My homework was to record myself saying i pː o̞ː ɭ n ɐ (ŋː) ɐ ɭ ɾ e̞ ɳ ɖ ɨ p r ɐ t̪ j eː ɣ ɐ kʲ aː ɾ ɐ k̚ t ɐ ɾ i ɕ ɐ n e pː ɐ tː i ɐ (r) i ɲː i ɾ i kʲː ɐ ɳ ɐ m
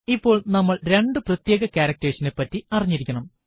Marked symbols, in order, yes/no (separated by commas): no, yes